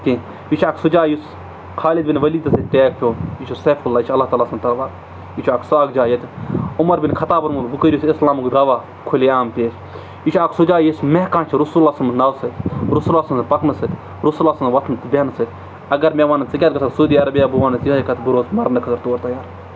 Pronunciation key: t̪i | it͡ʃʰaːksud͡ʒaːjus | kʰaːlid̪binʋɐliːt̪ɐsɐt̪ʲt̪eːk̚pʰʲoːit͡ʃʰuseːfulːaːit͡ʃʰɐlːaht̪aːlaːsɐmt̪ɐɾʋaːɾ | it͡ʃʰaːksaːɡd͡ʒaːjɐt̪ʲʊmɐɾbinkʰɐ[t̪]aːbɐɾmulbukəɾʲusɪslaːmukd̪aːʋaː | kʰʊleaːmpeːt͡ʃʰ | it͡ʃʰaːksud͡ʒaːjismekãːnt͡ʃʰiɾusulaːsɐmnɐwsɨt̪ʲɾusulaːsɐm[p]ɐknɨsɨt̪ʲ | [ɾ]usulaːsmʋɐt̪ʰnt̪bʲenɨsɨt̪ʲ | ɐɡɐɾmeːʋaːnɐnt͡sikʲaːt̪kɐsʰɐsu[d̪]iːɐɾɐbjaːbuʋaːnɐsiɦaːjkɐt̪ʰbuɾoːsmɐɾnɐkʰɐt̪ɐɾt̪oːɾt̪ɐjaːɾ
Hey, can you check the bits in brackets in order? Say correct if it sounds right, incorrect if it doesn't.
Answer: correct, correct, correct, correct

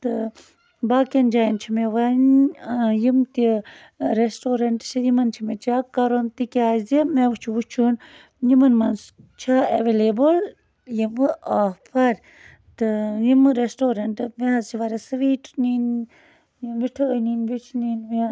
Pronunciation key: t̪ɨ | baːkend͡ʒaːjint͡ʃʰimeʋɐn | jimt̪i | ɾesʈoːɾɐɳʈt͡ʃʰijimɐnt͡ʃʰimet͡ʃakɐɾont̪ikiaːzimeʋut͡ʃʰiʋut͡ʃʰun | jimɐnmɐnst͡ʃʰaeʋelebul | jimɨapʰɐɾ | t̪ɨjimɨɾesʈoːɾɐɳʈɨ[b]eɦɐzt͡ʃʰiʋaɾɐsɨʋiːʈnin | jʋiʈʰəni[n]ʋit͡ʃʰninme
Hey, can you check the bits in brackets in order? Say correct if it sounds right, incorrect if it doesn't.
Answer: incorrect: m, correct

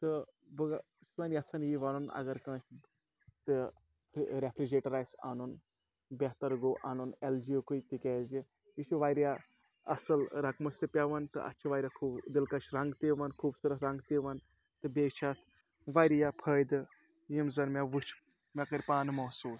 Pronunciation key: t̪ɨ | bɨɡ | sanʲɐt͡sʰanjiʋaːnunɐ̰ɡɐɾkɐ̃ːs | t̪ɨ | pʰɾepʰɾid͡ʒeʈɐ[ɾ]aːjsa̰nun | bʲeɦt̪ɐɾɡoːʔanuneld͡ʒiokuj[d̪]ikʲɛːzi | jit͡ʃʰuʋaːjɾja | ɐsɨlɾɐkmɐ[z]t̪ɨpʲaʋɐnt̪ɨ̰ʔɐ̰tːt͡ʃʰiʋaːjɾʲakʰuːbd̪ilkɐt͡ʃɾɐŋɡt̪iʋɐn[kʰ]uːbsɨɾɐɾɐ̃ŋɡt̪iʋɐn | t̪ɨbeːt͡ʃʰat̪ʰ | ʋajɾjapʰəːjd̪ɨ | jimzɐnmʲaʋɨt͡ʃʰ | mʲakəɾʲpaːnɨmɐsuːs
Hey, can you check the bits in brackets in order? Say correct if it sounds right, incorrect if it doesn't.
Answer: correct, incorrect: t̪, incorrect: s, correct

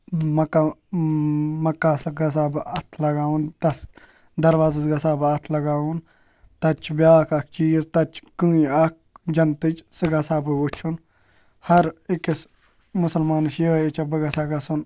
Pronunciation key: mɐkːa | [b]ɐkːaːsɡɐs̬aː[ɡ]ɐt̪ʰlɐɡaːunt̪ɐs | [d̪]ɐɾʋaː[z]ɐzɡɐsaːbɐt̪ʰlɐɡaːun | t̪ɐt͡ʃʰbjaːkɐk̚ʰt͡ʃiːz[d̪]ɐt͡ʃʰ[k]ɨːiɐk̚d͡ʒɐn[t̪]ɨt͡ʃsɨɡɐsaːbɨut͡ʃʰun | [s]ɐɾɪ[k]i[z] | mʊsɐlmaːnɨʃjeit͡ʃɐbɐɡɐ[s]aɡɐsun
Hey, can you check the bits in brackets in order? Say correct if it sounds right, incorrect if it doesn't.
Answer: incorrect: m, incorrect: b, correct, correct, incorrect: t̪, correct, correct, incorrect: h, correct, incorrect: s, correct

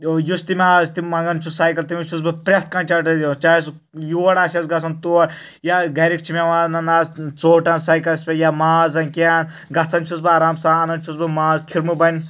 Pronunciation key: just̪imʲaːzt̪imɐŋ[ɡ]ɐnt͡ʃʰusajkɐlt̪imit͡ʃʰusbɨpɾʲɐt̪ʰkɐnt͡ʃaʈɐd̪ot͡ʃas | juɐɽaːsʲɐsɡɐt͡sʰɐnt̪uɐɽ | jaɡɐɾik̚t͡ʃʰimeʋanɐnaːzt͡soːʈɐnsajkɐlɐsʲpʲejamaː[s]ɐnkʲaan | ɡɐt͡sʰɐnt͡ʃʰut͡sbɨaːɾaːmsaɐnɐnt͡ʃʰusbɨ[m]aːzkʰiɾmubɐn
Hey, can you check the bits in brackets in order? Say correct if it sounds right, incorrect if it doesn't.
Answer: correct, incorrect: z, correct

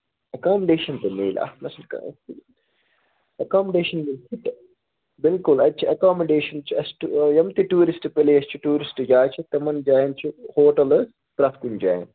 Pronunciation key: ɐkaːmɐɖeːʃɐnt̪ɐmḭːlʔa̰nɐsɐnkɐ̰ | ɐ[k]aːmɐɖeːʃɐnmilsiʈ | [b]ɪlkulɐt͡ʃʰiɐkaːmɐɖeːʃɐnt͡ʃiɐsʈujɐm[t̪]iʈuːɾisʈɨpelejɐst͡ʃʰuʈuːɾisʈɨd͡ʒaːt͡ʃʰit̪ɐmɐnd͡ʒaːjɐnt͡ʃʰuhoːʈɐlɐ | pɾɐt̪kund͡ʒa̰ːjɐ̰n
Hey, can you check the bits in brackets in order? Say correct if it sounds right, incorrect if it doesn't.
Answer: correct, correct, correct

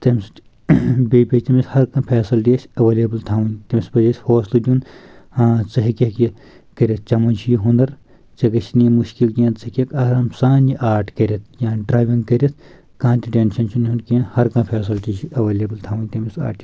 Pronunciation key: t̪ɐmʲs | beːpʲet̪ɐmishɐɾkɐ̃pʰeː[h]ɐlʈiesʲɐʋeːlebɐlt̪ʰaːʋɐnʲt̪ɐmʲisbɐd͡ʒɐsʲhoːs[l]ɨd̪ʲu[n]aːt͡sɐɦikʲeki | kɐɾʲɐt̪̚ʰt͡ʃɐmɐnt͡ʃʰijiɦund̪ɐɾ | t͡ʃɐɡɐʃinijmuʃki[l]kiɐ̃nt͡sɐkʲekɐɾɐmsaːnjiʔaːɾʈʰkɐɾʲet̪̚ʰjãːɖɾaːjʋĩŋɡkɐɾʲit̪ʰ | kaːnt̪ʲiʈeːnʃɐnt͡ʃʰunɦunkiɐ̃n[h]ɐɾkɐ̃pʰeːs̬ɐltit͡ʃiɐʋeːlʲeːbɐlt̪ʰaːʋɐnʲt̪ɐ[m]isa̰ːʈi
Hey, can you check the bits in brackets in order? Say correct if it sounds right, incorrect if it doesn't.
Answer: incorrect: s, correct, correct, correct, correct, correct

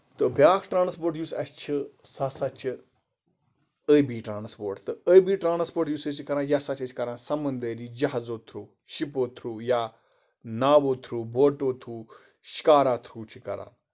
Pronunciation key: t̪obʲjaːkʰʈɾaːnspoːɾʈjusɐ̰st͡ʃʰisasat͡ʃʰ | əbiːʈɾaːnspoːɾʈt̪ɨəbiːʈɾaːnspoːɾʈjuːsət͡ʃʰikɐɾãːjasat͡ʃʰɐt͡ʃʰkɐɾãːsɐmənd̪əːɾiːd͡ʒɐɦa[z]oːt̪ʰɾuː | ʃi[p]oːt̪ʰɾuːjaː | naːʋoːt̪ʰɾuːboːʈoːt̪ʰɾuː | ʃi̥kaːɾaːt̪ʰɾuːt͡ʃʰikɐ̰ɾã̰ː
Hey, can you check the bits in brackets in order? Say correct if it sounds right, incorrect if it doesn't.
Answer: correct, correct

